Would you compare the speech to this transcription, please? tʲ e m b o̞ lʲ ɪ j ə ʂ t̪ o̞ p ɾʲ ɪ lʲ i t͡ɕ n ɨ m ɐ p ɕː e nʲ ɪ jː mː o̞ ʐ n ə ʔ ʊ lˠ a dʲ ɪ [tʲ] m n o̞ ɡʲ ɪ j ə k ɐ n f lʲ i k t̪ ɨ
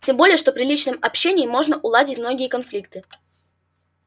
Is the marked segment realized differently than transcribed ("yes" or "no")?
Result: no